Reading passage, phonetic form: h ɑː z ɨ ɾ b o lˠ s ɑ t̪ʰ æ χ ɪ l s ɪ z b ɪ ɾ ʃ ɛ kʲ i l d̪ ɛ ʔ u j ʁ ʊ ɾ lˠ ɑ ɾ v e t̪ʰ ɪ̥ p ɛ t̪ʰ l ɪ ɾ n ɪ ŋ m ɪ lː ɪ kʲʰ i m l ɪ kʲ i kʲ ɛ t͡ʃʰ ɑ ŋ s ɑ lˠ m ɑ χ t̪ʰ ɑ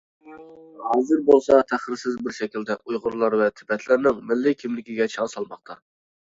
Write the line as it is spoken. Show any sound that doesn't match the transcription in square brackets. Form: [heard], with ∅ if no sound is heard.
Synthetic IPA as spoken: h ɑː z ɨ ɾ b o lˠ s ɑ t̪ʰ æ χ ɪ [ɾ] s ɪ z b ɪ ɾ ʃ ɛ kʲ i l d̪ ɛ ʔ u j ʁ ʊ ɾ lˠ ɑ ɾ v [ɛ] t̪ʰ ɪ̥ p ɛ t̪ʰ l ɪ ɾ n ɪ ŋ m ɪ lː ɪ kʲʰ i m l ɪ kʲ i [ɡʲ] ɛ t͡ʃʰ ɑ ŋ s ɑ lˠ m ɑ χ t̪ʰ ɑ